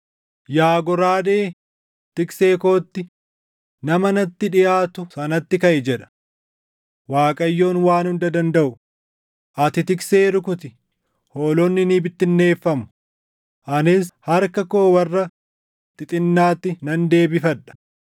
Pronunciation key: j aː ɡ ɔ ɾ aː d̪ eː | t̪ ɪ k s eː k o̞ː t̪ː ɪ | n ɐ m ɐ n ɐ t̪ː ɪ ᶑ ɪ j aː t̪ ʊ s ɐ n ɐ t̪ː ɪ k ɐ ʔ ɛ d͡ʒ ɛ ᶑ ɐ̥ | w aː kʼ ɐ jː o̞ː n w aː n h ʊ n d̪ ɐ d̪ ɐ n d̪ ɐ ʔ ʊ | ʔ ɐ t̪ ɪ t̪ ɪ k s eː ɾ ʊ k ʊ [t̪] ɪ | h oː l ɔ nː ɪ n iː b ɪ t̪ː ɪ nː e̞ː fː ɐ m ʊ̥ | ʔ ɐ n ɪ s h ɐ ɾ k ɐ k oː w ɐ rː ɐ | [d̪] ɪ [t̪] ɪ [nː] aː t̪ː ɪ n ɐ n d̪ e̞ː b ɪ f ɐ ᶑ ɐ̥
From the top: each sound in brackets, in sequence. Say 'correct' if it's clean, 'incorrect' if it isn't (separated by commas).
correct, incorrect, incorrect, correct